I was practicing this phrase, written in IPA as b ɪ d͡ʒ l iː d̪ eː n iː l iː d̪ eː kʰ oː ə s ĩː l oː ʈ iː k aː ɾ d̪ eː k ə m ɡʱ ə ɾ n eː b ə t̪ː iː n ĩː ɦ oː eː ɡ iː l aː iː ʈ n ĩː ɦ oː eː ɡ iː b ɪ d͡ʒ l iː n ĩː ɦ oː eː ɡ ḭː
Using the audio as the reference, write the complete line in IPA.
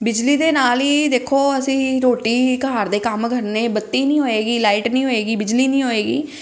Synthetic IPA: b ɪ d͡ʒ l iː d̪ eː n aː l iː d̪ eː kʰ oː ə s ĩː ɾ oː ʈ iː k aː ɾ d̪ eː k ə m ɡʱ ə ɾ n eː b ə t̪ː iː n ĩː ɦ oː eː ɡ iː l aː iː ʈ n ĩː ɦ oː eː ɡ iː b ɪ d͡ʒ l iː n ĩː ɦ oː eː ɡ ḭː